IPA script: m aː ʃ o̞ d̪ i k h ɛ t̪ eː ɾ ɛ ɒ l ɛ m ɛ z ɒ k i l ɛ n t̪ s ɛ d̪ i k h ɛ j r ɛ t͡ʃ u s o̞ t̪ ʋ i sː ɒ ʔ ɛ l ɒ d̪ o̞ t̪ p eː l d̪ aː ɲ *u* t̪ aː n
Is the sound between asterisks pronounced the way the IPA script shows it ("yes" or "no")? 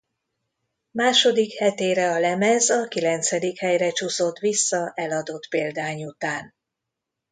yes